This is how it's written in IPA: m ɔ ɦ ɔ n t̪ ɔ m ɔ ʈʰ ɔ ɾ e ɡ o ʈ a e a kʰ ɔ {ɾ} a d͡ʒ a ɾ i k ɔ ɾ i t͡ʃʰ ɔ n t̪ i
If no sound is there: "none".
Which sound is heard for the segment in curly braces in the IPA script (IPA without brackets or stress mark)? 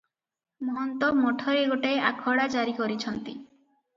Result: ɽ